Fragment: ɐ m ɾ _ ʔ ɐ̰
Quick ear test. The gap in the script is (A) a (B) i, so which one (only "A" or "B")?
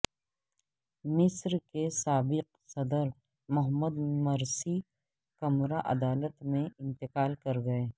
A